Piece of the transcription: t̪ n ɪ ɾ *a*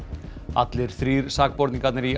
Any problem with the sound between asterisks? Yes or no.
yes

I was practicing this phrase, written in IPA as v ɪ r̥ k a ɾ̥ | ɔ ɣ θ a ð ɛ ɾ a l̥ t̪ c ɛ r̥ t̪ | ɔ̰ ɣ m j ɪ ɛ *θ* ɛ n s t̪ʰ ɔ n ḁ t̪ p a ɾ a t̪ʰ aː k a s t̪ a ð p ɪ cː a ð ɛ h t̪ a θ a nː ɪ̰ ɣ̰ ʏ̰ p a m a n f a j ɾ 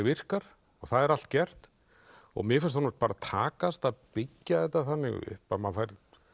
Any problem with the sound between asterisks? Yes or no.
yes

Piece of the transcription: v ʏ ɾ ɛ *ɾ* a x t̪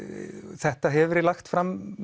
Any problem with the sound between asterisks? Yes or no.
yes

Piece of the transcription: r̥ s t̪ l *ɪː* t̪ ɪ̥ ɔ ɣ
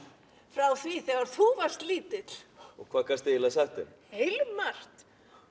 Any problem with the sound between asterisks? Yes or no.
yes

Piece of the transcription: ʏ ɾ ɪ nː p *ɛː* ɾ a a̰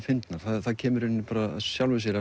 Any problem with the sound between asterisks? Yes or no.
yes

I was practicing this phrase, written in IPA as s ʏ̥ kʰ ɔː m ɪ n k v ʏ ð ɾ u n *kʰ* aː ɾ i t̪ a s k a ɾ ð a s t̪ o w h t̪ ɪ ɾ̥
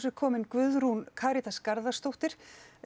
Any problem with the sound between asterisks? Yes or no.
no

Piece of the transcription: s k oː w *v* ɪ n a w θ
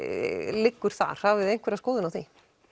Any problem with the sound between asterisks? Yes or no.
yes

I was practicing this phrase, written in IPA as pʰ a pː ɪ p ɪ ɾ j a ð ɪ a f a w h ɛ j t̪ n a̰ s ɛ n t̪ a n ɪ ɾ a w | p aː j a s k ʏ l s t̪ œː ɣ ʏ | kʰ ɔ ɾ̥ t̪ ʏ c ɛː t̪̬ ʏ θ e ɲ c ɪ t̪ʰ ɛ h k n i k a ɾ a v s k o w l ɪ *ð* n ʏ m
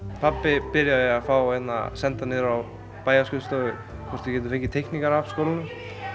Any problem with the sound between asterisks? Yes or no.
yes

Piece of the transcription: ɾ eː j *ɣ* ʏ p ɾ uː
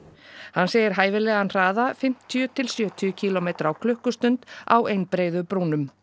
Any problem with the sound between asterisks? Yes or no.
yes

